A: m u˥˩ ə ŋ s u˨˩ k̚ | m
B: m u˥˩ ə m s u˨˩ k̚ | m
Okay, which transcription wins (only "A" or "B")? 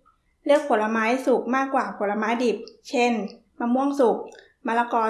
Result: A